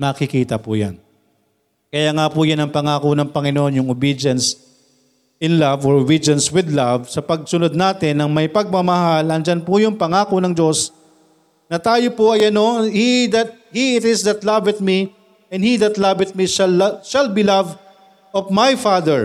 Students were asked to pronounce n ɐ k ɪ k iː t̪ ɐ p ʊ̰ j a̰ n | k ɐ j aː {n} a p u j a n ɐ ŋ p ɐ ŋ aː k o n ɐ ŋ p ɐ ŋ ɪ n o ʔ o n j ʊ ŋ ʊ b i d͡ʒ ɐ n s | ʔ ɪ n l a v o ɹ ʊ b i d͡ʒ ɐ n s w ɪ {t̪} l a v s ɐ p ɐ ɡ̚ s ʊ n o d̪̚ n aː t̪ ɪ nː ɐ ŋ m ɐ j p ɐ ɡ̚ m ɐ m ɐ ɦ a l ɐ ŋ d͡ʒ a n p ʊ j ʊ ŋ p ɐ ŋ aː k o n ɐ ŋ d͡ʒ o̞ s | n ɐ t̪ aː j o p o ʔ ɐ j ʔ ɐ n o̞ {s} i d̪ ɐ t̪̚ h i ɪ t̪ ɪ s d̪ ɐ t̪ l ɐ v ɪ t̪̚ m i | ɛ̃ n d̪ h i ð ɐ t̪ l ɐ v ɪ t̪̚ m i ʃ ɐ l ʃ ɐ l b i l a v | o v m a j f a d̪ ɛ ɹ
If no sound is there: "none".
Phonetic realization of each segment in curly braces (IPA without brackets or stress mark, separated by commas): ŋ, d̪, h